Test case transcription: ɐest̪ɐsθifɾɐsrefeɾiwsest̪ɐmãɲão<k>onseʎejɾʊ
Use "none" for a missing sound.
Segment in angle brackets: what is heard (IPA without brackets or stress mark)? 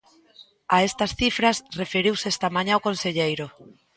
k